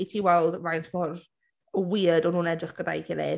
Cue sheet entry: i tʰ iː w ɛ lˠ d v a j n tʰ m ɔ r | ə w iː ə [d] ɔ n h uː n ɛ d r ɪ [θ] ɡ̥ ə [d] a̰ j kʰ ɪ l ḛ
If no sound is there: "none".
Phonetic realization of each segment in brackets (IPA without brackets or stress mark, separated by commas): d, χ, d